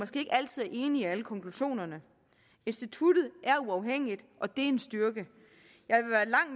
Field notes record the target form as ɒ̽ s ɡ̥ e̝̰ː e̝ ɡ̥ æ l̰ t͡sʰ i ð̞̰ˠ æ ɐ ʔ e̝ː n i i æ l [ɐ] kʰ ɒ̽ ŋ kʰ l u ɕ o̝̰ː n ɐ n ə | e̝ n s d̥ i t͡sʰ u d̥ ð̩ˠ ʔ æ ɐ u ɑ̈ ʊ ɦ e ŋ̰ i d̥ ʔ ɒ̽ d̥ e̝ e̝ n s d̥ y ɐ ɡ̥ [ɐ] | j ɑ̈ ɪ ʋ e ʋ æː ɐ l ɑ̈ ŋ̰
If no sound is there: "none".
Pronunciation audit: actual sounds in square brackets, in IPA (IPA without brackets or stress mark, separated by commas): ə, ə